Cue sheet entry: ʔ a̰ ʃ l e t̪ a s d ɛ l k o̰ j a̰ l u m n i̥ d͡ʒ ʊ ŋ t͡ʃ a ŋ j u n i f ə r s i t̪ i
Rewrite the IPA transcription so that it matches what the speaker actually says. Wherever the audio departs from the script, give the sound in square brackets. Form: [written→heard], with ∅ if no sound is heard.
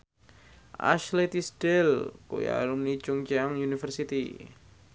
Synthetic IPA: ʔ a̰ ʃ l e t̪ [a→i] s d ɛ l k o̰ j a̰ l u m n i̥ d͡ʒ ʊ ŋ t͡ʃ a ŋ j u n i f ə r s i t̪ i